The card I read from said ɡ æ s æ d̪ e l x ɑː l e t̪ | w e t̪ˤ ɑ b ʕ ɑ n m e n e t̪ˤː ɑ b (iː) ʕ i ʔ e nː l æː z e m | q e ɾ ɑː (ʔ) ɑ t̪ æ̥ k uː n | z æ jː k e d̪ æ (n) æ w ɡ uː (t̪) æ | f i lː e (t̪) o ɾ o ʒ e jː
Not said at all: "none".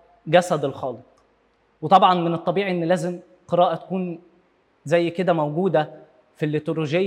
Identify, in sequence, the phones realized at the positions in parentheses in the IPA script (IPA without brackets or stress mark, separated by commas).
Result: iː, ʔ, m, d̪, t̪